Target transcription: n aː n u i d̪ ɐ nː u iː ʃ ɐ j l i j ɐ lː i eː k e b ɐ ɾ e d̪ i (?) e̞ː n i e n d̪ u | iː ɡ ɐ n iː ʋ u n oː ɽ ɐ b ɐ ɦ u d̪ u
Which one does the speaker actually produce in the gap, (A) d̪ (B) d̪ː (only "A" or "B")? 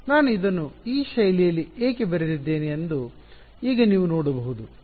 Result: B